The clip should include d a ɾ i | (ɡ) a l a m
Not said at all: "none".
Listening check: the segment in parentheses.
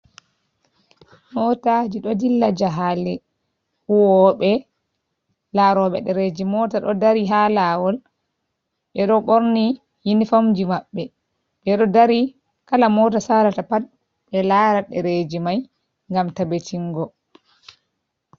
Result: k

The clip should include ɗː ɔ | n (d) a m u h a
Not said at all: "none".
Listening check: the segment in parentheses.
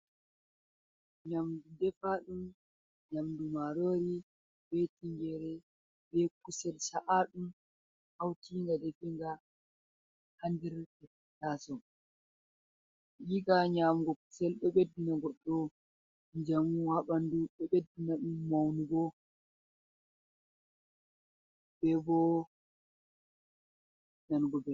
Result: d͡ʒ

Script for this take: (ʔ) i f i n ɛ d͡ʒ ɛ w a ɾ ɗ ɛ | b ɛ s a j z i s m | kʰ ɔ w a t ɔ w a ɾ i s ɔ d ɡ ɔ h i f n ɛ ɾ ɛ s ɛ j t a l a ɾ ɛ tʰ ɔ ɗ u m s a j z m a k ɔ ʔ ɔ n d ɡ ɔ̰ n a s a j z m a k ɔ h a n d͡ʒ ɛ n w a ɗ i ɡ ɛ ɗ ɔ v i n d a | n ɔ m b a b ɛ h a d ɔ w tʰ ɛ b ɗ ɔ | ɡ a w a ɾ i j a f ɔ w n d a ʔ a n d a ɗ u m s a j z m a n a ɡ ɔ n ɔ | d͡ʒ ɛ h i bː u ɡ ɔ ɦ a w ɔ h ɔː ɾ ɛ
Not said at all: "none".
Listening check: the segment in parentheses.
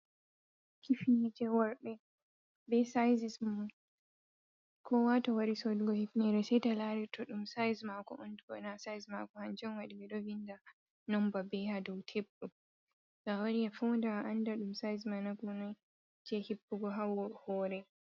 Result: k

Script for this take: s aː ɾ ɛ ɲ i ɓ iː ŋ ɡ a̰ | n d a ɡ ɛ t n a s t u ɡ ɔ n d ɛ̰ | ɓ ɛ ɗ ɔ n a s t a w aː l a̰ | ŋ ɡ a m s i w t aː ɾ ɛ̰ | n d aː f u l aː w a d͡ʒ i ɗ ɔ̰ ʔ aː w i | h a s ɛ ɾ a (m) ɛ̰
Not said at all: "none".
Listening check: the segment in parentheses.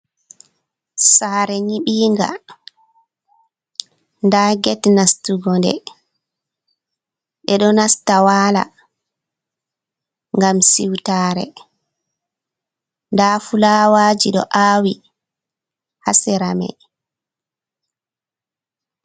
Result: m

